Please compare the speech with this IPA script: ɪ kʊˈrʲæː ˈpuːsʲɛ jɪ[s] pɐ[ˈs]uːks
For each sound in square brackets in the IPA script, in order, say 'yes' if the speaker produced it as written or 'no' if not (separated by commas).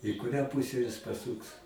yes, yes